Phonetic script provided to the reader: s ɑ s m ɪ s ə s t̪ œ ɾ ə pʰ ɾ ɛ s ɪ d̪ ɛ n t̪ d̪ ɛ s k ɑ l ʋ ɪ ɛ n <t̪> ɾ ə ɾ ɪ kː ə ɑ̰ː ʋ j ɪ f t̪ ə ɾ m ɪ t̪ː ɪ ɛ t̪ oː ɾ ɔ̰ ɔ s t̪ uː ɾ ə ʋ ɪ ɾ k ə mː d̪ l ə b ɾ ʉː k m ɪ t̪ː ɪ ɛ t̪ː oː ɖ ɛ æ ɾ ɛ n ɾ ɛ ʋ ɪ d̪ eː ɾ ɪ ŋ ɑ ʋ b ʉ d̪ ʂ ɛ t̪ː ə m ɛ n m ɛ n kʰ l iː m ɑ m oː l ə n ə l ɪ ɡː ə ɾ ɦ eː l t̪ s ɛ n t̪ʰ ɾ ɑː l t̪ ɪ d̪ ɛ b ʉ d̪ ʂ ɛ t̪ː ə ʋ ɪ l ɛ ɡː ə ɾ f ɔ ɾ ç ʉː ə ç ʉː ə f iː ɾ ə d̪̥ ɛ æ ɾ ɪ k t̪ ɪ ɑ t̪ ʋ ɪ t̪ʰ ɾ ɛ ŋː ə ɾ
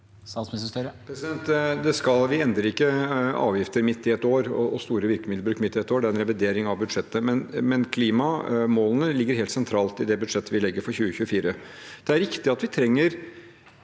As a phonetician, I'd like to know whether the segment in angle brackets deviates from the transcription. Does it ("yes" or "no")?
yes